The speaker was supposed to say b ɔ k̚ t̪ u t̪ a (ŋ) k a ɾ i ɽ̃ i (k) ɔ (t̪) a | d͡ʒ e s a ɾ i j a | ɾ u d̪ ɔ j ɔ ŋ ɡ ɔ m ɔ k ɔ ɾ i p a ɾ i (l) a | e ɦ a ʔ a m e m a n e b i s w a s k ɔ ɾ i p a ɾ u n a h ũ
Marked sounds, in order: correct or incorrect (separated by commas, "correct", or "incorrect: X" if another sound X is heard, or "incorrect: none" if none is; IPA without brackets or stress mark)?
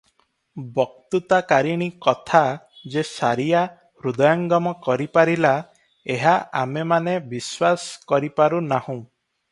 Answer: incorrect: none, correct, incorrect: t̪ʰ, correct